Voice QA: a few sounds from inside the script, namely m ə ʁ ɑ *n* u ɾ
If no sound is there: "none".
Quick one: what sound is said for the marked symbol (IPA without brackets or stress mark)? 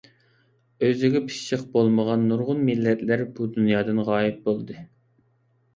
nː